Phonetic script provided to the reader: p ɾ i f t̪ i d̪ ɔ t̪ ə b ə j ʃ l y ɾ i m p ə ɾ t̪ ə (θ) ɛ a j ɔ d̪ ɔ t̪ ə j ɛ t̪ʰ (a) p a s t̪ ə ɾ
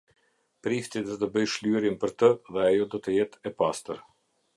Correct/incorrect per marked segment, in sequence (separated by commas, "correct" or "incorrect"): incorrect, incorrect